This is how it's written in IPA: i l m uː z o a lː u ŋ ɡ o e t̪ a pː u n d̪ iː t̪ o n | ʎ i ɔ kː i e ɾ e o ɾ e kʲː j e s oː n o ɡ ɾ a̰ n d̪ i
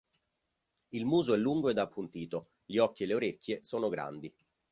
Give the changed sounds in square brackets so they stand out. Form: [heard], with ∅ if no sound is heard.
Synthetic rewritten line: i l m uː z o [ɛ] lː u ŋ ɡ o e [d̪] a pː u n [t̪] iː t̪ o [∅] | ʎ i ɔ kː i e [l] e o ɾ e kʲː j e s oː n o ɡ ɾ a̰ n d̪ i